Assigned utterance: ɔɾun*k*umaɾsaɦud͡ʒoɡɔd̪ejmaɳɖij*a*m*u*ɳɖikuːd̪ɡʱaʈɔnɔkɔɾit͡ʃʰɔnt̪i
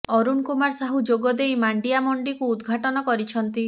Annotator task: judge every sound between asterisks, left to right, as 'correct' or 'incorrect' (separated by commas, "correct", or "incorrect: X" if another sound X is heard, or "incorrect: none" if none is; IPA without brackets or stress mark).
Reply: correct, correct, incorrect: ɔ